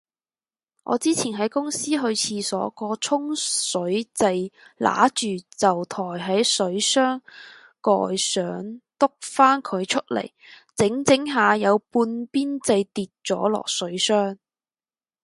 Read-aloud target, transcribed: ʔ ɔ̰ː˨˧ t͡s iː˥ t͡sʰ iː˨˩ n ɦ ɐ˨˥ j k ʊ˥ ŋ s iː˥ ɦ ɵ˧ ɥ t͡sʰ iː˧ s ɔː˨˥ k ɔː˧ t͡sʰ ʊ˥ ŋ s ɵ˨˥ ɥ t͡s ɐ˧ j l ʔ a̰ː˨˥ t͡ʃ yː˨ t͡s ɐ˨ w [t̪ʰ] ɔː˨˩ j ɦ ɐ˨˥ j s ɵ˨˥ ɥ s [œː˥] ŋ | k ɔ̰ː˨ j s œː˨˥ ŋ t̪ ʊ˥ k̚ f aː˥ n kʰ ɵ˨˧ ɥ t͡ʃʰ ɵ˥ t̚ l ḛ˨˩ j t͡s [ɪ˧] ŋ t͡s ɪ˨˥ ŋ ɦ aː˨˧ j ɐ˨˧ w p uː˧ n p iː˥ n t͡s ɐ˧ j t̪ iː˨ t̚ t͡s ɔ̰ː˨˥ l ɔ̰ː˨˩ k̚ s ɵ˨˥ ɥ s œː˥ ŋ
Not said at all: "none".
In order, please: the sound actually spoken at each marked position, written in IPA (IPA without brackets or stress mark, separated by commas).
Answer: t̪ʰ, œː˥, ɪ˨˥